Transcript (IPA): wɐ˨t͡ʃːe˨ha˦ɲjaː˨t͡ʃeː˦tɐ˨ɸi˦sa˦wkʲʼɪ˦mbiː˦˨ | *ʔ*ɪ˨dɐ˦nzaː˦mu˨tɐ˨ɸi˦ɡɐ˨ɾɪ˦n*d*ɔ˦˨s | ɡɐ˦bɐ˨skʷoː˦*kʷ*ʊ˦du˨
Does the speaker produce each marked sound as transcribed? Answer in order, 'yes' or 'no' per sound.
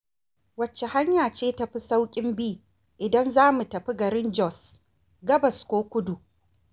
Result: yes, no, yes

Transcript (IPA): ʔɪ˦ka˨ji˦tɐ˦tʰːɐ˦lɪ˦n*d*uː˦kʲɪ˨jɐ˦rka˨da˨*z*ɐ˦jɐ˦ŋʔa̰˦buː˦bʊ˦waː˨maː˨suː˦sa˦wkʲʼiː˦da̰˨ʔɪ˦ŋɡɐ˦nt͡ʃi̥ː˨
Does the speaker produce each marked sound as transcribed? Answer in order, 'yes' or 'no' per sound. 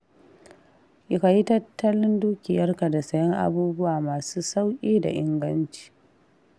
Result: yes, no

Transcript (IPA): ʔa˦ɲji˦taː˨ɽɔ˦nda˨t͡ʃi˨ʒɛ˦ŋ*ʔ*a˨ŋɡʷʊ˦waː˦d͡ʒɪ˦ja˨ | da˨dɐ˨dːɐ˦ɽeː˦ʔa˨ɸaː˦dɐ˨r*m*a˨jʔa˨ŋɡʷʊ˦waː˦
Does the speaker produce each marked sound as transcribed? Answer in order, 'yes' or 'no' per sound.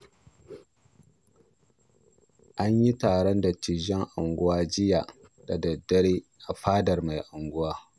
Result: yes, yes

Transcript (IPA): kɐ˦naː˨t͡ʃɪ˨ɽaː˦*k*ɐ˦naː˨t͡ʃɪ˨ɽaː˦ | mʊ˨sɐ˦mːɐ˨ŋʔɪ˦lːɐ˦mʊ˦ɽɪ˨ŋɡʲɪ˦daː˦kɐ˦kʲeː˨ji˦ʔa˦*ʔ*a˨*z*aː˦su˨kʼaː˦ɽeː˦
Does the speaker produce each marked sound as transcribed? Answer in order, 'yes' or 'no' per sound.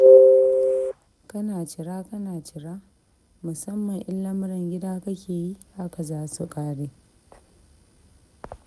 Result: yes, no, yes

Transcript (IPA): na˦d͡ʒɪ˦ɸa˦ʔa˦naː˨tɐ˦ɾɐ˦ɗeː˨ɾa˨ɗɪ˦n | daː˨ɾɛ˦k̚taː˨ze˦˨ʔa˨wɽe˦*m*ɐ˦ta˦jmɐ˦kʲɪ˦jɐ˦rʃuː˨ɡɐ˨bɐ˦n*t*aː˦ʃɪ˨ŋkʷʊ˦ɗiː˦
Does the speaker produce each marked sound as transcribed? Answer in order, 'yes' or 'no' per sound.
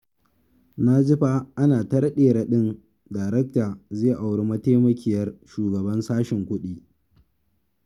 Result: yes, no

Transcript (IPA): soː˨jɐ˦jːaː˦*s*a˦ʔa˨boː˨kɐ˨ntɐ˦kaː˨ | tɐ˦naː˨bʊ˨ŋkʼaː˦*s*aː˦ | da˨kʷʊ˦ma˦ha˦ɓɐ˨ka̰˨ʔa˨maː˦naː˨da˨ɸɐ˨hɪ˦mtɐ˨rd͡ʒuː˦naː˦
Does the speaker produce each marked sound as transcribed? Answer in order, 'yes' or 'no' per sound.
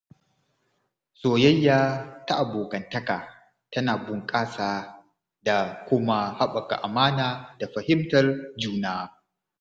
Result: no, yes

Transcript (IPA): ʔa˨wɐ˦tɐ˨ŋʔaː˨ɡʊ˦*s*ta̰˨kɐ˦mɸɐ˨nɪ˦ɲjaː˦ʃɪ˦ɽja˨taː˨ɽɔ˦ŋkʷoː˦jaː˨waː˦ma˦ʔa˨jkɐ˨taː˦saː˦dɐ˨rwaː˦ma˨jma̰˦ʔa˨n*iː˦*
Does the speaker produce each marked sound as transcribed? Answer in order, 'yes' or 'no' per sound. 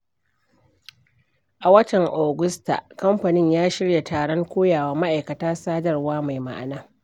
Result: yes, no

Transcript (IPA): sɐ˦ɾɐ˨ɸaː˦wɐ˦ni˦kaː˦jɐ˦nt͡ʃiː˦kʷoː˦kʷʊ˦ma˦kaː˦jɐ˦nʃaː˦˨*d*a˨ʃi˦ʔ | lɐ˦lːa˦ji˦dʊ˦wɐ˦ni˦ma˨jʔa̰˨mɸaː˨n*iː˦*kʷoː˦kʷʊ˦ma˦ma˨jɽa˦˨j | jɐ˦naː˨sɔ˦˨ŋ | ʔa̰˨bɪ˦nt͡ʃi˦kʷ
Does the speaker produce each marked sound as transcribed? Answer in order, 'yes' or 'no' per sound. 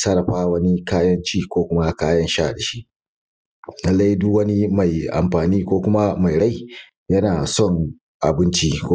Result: yes, yes

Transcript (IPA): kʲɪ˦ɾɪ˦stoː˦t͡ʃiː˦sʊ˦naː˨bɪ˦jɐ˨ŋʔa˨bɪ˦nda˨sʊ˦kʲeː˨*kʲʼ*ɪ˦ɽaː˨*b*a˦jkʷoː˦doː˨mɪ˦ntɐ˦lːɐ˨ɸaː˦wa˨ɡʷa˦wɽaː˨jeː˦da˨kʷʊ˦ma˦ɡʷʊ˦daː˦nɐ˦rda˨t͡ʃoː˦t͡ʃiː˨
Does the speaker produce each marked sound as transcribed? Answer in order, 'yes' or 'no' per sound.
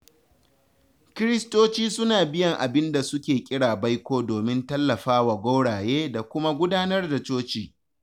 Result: yes, yes

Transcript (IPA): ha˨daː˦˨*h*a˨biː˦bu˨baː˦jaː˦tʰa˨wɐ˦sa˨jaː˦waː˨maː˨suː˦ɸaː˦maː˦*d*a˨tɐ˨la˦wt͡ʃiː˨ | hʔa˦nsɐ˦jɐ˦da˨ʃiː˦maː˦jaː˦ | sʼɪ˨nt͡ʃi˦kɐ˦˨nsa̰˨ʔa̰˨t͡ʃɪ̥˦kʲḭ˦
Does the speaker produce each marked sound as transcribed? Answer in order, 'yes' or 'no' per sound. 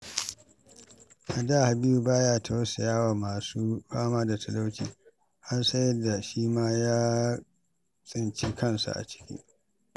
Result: yes, yes

